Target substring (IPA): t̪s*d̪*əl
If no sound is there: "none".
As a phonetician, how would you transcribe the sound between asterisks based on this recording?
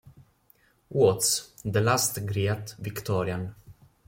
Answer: d̪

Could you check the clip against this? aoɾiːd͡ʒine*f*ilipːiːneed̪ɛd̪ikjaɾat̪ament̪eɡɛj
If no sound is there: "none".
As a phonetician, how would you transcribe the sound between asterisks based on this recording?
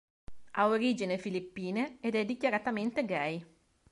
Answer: f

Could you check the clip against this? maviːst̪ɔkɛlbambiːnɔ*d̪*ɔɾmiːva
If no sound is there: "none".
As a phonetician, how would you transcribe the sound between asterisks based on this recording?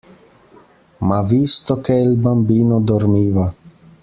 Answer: d̪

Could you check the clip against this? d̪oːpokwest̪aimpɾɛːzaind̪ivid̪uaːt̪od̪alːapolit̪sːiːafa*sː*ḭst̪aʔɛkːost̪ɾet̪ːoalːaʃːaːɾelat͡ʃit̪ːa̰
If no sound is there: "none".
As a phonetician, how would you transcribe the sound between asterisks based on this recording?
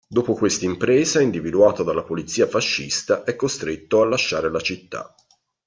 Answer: ʃː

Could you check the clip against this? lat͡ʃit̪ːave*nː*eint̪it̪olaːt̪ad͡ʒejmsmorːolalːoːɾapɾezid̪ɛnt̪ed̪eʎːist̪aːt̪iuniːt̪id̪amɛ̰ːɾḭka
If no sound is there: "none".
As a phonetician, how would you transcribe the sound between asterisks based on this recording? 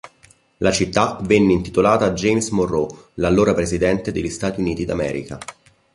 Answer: nː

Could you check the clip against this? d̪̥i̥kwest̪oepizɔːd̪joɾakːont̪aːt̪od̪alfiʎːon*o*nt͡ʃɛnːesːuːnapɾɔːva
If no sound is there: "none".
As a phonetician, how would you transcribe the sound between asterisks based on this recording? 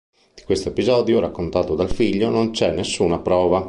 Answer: o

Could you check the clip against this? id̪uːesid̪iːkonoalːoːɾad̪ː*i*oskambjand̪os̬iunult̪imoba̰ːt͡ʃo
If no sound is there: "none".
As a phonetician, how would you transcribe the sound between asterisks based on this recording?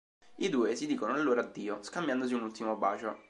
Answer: iː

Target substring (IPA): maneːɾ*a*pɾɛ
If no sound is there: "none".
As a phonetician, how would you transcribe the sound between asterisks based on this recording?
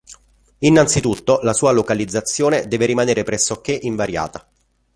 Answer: e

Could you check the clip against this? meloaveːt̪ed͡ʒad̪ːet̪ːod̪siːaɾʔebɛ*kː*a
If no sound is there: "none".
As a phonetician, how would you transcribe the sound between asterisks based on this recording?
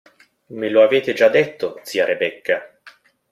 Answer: kː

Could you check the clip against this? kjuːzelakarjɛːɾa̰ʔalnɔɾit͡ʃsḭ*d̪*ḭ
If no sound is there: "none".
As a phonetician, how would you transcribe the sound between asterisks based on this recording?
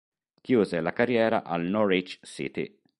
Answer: t̪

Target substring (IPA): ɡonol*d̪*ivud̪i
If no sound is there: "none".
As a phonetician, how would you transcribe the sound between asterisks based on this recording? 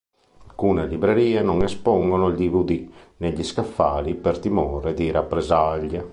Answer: d̪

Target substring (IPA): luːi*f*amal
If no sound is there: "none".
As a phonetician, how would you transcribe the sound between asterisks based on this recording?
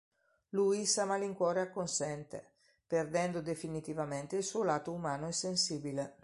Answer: s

